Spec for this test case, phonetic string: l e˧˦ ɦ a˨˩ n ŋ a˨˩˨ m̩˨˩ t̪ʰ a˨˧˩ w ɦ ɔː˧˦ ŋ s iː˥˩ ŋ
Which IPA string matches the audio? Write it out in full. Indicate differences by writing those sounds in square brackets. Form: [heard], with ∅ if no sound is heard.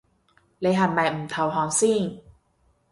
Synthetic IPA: l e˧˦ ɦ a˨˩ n [m] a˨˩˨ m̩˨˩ t̪ʰ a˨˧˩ w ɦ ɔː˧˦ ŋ s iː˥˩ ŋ